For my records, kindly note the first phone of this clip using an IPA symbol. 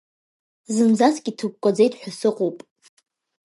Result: z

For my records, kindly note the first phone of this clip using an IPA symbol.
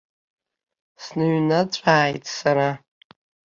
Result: s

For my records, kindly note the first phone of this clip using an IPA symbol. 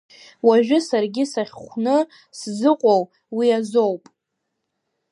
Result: w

